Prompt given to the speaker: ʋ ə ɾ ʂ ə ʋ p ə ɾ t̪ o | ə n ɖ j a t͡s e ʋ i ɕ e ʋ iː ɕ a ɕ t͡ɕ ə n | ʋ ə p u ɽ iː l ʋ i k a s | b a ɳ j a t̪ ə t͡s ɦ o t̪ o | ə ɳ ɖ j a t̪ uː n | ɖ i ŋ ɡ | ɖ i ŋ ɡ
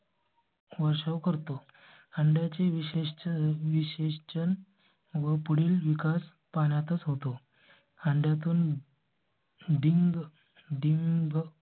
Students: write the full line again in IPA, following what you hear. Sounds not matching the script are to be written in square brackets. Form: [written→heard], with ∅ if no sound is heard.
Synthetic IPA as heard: ʋ ə ɾ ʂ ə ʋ [p→k] ə ɾ t̪ o | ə [n→ɳ] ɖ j a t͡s e ʋ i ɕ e ʋ [iː→i] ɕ [a→e] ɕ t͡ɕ ə n | ʋ ə p u ɽ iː l ʋ i k a s | [b→p] a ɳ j a t̪ ə t͡s ɦ o t̪ o | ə ɳ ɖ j a t̪ uː n | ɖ i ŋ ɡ | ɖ i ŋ ɡ